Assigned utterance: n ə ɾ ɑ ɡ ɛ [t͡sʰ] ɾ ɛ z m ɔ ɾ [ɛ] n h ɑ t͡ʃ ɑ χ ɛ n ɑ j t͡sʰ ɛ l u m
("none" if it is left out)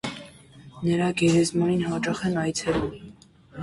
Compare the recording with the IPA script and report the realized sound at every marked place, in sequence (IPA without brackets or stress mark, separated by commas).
none, i